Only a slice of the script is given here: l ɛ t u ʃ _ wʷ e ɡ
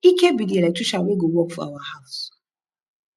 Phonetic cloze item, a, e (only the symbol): a